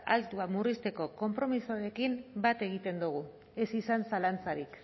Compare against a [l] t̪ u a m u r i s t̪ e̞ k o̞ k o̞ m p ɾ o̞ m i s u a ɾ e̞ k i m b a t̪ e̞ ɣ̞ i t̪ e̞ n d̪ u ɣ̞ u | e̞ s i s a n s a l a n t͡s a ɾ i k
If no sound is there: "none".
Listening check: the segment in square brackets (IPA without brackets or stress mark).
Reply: l